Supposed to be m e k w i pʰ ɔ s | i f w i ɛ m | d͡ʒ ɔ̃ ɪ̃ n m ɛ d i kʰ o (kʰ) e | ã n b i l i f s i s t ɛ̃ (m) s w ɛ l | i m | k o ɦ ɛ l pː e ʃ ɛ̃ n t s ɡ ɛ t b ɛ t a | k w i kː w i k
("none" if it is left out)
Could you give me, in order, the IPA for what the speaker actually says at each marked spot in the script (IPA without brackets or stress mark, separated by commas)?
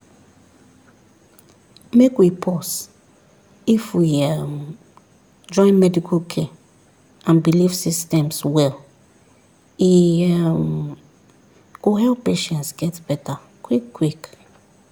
kʰ, m